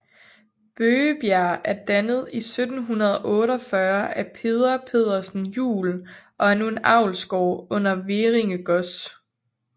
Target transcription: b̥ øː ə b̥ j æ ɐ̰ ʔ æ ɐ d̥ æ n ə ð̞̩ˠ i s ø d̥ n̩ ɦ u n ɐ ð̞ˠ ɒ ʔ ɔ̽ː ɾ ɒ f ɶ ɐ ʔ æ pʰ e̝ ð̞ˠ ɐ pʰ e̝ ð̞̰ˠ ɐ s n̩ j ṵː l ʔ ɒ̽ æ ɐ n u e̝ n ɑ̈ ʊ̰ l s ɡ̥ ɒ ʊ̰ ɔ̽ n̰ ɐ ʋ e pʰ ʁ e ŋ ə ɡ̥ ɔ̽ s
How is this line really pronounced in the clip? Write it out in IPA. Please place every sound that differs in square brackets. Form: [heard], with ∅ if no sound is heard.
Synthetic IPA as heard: b̥ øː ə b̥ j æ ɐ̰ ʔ æ ɐ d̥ æ n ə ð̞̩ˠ i s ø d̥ n̩ ɦ u n ɐ ð̞ˠ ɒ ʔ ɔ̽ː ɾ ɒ f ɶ ɐ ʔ æ pʰ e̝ ð̞ˠ ɐ pʰ e̝ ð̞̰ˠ ɐ s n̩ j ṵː l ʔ ɒ̽ æ ɐ n u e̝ n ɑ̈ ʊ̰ l s ɡ̥ ɒ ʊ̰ ɔ̽ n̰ ɐ ʋ e [∅] ʁ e ŋ ə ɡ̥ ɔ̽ s